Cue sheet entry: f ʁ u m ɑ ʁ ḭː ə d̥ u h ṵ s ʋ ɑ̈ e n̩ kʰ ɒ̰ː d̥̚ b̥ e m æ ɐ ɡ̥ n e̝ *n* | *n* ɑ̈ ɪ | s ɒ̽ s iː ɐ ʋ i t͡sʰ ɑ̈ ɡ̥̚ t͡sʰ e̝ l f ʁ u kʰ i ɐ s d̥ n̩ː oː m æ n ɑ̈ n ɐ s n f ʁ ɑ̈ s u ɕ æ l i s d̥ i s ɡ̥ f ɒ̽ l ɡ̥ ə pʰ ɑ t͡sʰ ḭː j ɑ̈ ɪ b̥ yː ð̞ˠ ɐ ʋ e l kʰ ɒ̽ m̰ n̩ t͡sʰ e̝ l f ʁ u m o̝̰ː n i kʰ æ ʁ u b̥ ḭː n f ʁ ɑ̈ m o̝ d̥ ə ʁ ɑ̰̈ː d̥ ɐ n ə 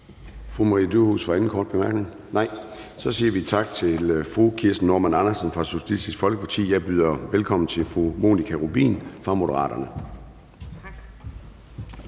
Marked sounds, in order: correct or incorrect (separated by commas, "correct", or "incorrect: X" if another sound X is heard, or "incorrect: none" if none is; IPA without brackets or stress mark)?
incorrect: ŋ, correct